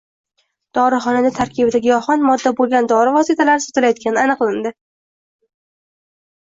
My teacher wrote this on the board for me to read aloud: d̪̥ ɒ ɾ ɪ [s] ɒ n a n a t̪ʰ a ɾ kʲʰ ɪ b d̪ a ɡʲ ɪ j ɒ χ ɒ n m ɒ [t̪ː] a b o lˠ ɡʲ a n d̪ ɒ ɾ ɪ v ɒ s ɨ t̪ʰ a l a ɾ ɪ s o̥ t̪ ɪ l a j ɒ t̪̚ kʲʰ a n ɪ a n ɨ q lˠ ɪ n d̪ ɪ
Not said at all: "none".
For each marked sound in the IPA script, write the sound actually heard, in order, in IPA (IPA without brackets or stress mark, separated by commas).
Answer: χ, d̪ː